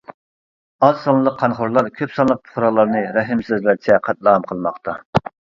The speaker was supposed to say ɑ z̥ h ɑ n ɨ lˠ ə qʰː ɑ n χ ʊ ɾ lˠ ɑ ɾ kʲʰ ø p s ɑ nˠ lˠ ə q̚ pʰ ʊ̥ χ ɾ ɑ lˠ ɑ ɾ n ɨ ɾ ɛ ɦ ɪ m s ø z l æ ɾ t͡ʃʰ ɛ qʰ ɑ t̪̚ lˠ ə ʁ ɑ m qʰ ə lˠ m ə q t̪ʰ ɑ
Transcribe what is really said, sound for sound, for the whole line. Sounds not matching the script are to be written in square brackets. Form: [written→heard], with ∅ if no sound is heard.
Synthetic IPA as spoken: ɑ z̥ [h→s] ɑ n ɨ lˠ ə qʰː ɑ n χ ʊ ɾ lˠ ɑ ɾ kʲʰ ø p s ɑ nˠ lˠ ə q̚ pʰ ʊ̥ χ ɾ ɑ lˠ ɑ ɾ n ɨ ɾ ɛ ɦ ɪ m s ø z l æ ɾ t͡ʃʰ ɛ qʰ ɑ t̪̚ lˠ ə ʁ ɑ m qʰ ə lˠ m [ə→ɑ] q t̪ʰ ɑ

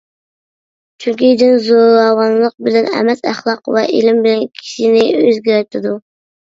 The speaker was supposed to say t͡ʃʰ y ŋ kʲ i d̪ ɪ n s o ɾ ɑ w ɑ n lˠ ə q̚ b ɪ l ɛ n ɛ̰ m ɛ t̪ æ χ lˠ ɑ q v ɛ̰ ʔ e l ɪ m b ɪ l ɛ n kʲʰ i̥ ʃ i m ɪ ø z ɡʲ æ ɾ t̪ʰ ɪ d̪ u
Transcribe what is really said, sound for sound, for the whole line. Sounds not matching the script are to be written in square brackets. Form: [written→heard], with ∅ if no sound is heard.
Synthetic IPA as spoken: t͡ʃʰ y ŋ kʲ i d̪ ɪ n [s→z] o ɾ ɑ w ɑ n lˠ ə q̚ b ɪ l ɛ n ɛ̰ m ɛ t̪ æ χ lˠ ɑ q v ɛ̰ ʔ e l ɪ m b ɪ l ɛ n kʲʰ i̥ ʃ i [m→n] ɪ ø z ɡʲ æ ɾ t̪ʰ ɪ d̪ u

